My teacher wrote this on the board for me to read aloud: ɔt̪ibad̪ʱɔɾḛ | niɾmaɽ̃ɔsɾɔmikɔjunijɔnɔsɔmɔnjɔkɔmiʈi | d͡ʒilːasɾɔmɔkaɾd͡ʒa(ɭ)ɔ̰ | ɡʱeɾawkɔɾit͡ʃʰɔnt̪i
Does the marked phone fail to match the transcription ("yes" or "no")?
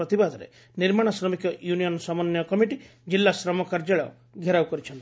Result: no